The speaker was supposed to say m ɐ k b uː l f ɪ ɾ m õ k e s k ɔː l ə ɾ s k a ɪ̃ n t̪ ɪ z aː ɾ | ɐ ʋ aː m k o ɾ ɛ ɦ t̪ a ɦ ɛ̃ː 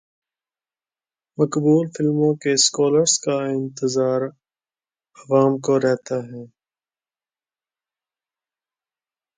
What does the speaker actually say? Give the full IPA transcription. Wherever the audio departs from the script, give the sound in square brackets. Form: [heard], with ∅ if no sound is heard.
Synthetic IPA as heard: m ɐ k b uː l f ɪ [l] m õ k e s k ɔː l ə ɾ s k a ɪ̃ n t̪ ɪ z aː ɾ | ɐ ʋ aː m k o ɾ ɛ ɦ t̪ a ɦ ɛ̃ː